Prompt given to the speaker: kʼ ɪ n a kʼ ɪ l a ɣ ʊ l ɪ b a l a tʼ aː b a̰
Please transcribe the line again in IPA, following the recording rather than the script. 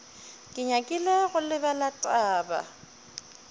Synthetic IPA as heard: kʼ ɪ ɲ a kʼ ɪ l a ɣ ʊ l ɪ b a l a tʼ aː b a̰